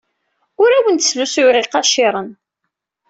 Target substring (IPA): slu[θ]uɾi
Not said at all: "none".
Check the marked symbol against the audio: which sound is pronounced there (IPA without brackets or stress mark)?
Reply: s